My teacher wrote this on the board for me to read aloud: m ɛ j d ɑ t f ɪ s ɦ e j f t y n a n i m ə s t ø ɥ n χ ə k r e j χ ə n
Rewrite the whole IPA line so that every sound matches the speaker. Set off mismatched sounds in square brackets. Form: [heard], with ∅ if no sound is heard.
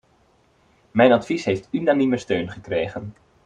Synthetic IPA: m ɛ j [n] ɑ t f [i] s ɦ e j f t y n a n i m ə s t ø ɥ n χ ə k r e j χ ə n